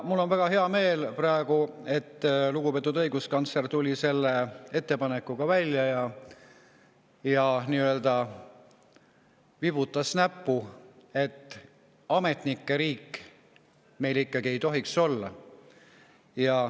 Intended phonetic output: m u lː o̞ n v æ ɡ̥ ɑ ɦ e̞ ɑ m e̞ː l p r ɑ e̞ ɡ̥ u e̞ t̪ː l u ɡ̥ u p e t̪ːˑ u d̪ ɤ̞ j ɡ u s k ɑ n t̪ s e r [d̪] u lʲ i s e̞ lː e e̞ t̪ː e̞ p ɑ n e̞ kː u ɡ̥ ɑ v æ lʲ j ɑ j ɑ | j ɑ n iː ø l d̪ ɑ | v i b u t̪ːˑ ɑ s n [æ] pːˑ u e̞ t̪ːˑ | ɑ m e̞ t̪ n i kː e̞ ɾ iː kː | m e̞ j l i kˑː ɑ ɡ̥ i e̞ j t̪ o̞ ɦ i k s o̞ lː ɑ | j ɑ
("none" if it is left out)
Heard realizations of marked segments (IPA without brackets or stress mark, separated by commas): t̪, æ